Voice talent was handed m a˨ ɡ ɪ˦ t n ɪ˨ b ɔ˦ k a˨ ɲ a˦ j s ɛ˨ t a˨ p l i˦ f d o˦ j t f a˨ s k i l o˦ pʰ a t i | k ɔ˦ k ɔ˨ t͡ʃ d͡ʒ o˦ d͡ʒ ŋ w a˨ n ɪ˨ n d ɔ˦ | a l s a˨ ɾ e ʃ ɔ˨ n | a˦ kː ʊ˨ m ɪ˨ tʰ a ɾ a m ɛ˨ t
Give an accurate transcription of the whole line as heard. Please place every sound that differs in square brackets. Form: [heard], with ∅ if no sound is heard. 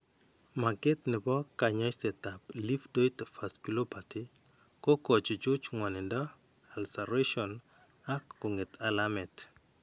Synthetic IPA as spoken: m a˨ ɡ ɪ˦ t n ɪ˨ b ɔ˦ k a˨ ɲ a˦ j s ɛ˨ t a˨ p l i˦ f d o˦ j t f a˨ s k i l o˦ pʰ a t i | k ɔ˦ k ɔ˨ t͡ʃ d͡ʒ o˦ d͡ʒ ŋ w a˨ n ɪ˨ n d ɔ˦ | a l s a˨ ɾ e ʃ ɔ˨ n | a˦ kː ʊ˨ [ŋ] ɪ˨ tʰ a [l] a m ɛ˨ t